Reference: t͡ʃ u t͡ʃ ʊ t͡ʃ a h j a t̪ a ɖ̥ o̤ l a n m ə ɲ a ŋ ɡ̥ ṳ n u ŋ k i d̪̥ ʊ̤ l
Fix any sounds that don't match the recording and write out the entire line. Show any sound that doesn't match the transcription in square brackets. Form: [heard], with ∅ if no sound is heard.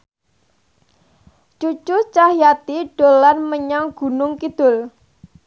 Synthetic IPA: t͡ʃ u t͡ʃ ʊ t͡ʃ a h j a t̪ [i] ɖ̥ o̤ l a n m ə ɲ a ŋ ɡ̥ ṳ n [ʊ] ŋ k i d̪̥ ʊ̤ l